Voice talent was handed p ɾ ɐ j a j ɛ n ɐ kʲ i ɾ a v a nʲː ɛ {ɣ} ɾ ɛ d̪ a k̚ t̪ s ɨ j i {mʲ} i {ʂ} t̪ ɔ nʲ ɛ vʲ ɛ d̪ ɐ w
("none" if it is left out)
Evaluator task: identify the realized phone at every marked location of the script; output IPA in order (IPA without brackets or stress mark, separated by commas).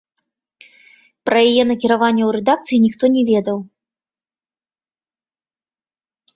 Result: w, nʲ, x